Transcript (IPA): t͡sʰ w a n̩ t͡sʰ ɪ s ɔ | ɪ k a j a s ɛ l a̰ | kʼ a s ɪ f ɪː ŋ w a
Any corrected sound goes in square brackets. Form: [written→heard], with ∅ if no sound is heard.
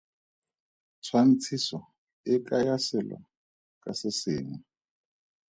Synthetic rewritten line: t͡sʰ w a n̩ t͡sʰ [ɪ→i] s ɔ | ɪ k a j a s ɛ l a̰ | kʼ a s ɪ [f→s] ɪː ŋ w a